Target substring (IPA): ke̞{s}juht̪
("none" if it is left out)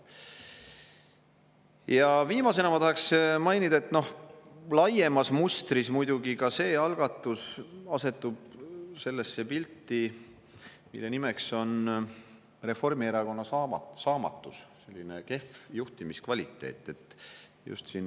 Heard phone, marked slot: f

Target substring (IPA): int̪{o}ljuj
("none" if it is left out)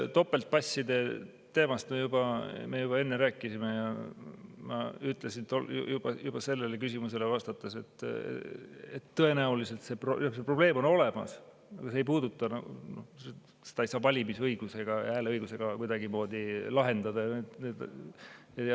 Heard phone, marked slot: o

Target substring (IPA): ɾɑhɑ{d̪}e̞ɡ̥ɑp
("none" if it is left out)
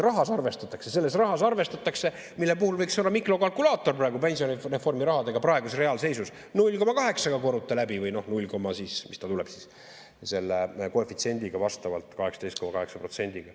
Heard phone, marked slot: d̪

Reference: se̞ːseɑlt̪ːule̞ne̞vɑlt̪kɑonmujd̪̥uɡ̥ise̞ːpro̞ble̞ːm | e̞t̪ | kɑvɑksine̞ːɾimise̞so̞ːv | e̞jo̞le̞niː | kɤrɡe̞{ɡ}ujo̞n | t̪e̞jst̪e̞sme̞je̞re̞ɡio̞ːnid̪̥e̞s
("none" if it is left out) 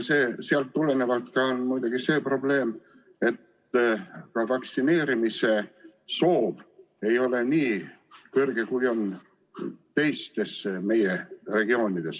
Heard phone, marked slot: k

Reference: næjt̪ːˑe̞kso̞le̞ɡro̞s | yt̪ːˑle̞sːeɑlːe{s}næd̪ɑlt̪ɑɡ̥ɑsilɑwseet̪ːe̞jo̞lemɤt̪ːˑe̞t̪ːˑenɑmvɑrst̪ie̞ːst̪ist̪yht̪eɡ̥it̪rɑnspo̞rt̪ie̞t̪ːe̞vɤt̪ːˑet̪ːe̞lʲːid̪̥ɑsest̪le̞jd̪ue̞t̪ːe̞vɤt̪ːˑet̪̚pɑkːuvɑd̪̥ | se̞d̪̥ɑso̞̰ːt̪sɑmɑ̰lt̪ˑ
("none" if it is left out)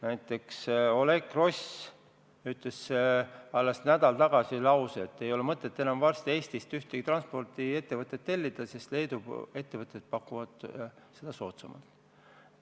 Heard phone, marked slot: s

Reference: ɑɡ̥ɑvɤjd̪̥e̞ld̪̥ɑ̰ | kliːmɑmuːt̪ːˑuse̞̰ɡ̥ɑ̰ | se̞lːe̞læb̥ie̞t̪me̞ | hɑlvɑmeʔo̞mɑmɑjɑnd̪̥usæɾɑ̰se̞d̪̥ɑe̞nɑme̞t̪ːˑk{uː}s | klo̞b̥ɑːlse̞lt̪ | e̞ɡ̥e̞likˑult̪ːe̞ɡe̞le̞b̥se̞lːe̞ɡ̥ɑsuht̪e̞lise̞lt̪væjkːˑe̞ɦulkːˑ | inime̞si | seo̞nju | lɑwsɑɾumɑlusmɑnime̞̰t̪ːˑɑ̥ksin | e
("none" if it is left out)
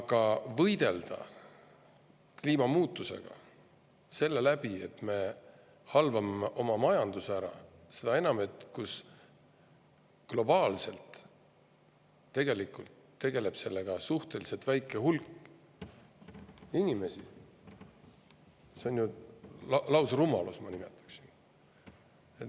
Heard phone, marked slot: u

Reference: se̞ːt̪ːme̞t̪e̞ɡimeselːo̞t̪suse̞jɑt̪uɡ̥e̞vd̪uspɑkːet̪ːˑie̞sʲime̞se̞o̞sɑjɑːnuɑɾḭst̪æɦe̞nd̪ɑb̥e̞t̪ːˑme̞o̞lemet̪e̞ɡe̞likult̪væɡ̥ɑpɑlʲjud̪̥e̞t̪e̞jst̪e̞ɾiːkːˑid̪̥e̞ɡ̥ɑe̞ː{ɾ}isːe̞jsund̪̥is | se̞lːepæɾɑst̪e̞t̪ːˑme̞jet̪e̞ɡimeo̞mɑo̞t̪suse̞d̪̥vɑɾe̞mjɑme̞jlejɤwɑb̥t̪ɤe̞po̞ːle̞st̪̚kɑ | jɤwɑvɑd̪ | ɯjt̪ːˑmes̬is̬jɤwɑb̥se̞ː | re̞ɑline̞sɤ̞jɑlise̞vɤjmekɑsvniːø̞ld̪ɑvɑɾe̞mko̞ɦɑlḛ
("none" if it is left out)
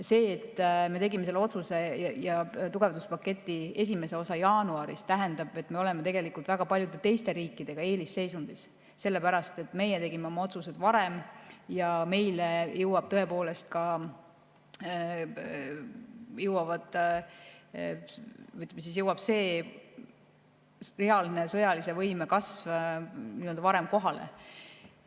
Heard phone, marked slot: l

